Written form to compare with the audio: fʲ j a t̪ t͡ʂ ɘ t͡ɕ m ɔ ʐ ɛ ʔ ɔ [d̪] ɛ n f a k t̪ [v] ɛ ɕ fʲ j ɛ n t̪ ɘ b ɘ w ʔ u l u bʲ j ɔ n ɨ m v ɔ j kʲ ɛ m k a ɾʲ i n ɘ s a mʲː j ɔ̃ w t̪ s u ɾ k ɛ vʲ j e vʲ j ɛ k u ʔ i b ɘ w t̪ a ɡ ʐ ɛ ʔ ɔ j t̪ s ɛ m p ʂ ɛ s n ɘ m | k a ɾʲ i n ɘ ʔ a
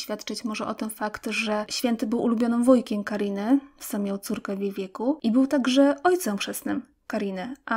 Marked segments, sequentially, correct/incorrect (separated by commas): incorrect, incorrect